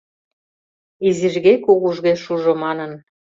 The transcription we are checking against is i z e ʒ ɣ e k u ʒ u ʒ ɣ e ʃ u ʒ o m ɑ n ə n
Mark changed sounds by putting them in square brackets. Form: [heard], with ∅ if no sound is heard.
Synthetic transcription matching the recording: i z [i] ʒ ɣ e k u [ɣ] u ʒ ɣ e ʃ u ʒ o m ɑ n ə n